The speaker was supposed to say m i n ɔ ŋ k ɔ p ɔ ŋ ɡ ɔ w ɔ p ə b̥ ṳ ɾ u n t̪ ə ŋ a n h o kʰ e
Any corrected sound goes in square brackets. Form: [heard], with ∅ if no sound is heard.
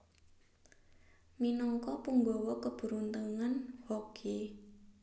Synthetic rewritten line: m i n ɔ ŋ k ɔ p [u] ŋ ɡ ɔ w ɔ [k] ə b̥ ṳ ɾ u n t̪ ə ŋ a n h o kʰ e